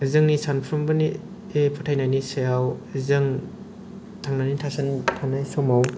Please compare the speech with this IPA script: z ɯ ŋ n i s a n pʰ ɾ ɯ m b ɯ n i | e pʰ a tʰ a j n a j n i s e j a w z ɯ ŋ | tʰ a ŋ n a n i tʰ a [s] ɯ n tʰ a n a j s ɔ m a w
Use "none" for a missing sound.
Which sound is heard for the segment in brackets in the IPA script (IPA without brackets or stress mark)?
s